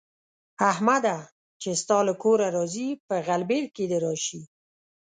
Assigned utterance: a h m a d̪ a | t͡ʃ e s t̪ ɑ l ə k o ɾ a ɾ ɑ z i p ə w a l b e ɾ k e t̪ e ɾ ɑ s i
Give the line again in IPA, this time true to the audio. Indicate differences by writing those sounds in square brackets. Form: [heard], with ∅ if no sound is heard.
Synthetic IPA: a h m a d̪ a | t͡ʃ e s t̪ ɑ l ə k o ɾ a ɾ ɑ z i p ə [ɣ] a l b e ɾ k e [d̪] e ɾ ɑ [ʃ] i